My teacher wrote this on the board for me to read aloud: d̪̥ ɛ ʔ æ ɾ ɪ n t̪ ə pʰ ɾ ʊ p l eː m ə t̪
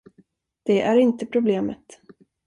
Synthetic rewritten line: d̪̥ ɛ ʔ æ ɾ ɪ n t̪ ə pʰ ɾ ʊ b l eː m ə t̪